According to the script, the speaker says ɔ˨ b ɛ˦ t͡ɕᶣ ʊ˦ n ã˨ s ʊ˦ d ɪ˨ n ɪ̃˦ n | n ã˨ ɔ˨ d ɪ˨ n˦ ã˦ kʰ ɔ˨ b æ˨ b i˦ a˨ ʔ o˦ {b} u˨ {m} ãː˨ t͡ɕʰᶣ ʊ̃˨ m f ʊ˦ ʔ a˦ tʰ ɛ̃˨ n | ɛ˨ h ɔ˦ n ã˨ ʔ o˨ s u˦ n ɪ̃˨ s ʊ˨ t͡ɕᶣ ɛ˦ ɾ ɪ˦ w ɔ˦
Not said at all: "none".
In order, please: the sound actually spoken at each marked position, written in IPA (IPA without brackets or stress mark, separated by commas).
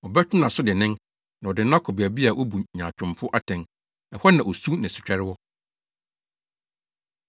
b, ɲ